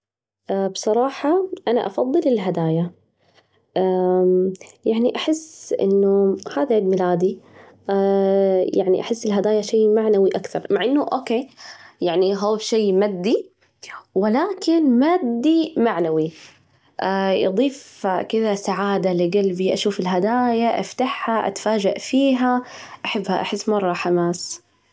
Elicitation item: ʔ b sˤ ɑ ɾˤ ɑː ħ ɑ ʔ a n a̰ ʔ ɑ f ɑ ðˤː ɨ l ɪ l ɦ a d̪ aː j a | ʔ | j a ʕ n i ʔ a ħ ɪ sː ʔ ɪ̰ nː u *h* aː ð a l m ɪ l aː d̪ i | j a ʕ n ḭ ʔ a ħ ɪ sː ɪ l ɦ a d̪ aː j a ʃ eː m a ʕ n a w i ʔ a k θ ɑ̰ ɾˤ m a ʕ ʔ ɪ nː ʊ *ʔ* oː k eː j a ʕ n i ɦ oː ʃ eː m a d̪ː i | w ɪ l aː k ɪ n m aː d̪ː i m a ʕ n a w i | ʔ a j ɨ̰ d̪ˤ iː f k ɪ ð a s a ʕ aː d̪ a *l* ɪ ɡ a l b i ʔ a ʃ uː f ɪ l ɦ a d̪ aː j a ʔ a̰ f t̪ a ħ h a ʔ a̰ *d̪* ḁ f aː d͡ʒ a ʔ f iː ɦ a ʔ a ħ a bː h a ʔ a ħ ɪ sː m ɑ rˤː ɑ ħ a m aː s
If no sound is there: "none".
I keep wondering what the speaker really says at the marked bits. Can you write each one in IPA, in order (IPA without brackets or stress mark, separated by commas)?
h, ʔ, l, t̪